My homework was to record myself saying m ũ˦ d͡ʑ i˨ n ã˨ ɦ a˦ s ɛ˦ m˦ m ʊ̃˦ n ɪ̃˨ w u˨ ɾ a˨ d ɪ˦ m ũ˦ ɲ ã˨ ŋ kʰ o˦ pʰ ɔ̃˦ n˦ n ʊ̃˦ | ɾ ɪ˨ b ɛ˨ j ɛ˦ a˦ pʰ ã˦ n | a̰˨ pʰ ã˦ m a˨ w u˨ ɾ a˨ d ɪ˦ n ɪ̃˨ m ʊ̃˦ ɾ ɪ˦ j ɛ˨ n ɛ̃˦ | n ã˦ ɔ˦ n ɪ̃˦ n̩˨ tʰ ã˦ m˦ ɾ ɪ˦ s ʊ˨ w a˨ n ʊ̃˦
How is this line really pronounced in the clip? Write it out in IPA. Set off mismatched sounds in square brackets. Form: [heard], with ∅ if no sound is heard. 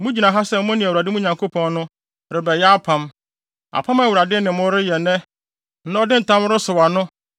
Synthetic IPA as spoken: m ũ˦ d͡ʑ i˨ n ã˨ ɦ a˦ s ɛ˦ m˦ m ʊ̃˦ n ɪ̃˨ w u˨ ɾ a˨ d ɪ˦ m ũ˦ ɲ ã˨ ŋ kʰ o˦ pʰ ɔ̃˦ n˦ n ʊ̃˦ | ɾ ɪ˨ b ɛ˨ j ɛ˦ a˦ pʰ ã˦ [m] | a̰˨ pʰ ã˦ m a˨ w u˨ ɾ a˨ d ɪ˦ n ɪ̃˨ m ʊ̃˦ ɾ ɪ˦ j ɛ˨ n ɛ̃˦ | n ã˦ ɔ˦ [d] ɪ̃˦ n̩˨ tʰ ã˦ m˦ ɾ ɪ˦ s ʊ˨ w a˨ n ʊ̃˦